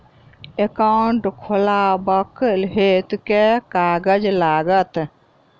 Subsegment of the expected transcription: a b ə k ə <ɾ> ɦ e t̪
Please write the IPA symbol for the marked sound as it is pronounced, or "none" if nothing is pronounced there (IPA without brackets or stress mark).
l